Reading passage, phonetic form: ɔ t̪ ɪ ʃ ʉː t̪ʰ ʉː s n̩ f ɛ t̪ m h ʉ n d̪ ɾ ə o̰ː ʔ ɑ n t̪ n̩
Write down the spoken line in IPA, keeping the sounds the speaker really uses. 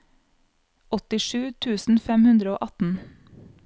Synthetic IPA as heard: ɔ t̪ ɪ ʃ ʉː t̪ʰ ʉː s n̩ f ɛ m h ʉ n d̪ ɾ ə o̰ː ʔ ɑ t̪ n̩